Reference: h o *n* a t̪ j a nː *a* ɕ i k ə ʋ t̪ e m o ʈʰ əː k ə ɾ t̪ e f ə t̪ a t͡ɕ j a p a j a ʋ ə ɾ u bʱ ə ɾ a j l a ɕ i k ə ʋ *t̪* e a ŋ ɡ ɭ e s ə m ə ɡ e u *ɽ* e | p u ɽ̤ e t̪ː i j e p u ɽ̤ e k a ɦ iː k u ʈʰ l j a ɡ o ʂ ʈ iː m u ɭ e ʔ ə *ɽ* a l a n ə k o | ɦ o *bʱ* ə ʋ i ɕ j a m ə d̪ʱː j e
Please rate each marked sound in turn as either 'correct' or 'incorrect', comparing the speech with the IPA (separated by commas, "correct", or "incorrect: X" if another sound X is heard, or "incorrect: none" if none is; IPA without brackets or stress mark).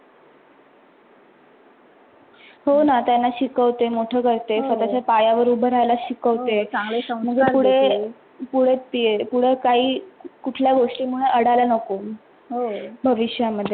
correct, correct, correct, correct, correct, correct